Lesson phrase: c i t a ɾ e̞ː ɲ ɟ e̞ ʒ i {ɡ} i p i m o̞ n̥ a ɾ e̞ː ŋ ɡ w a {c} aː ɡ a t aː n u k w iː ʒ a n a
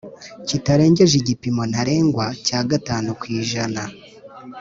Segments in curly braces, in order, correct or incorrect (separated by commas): incorrect, correct